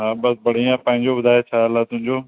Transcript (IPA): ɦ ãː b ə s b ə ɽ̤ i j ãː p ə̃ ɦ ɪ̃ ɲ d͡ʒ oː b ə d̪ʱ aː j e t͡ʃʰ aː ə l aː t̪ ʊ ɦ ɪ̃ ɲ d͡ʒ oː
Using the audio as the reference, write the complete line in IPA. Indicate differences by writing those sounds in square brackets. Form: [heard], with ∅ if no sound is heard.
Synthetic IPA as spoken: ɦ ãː b ə s b ə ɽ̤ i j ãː p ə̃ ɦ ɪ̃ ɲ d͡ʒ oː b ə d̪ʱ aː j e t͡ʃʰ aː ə l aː t̪ ʊ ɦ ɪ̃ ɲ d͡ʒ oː